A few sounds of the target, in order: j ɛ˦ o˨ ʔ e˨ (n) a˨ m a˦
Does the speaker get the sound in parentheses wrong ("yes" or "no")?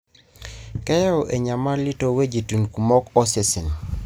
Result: yes